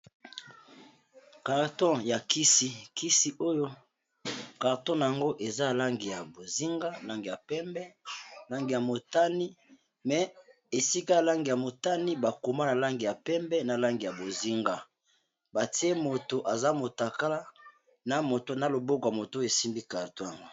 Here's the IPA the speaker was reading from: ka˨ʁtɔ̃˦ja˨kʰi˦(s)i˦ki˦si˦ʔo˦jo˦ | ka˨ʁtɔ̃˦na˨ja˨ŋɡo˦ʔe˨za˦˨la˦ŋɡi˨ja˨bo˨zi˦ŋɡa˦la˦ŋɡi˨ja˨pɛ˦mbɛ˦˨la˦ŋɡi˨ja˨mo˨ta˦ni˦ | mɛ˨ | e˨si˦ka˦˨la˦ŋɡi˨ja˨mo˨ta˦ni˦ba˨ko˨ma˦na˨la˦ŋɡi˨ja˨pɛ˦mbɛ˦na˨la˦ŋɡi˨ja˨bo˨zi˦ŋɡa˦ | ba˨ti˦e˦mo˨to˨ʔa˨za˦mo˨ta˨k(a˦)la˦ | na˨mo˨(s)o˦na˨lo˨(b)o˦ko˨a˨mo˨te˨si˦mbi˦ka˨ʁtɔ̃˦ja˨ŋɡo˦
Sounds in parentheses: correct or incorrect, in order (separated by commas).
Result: correct, correct, incorrect, correct